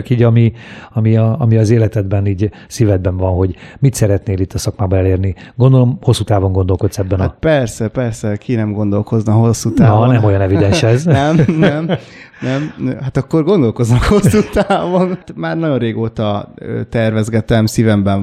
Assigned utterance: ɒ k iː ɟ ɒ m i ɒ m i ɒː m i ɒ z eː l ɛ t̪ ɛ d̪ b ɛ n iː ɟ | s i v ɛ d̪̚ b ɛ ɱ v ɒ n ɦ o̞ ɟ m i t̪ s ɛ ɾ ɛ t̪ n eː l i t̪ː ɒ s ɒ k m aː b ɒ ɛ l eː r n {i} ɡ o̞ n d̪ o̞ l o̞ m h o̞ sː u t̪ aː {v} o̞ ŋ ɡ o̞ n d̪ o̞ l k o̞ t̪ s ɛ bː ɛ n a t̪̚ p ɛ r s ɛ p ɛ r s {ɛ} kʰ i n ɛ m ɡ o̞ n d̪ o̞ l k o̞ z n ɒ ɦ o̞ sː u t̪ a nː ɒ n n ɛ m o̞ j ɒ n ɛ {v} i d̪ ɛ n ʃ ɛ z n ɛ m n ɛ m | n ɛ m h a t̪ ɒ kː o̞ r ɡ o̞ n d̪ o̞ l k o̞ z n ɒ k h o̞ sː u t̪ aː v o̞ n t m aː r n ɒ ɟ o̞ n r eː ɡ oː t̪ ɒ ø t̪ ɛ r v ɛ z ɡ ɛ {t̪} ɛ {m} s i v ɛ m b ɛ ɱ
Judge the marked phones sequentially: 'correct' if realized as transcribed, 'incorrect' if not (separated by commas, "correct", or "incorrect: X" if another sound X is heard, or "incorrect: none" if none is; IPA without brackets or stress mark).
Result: correct, correct, correct, correct, correct, correct